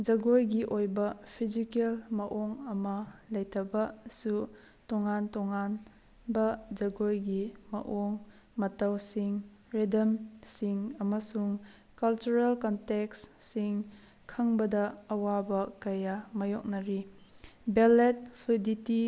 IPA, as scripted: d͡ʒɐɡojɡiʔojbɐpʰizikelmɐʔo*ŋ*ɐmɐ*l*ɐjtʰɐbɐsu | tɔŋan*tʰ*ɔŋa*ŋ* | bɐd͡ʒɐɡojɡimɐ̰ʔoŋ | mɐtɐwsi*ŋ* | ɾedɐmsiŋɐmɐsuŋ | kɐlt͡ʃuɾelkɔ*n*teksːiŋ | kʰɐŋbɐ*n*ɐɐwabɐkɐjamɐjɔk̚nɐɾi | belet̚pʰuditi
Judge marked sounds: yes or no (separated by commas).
yes, yes, no, no, yes, yes, no